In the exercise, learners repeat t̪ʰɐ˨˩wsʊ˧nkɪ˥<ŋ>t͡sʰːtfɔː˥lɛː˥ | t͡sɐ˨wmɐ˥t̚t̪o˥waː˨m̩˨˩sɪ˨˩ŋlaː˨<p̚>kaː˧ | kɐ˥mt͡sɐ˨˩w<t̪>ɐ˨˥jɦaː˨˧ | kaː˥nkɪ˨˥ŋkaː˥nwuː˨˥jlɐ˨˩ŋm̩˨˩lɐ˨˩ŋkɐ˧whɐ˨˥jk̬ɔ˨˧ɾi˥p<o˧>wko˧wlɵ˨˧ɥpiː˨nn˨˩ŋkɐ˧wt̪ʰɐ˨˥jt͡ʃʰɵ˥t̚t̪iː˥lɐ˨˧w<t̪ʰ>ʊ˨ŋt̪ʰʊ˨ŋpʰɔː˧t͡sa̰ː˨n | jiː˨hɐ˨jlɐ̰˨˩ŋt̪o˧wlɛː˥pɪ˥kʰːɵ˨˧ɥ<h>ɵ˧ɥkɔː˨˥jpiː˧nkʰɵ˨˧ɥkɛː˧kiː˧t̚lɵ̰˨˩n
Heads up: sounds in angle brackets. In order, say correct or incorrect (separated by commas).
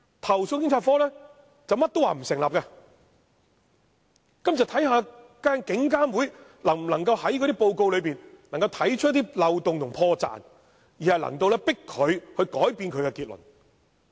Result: correct, correct, incorrect, correct, incorrect, correct